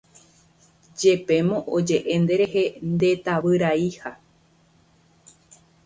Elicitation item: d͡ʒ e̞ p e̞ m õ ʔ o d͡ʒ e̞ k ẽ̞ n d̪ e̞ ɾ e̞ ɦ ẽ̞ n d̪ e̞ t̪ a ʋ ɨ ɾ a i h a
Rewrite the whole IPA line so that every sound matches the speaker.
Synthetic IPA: d͡ʒ e̞ p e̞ m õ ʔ o d͡ʒ e̞ ʔ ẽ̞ n d̪ e̞ ɾ e̞ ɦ e̞ n d̪ e̞ t̪ a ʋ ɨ ɾ a i h a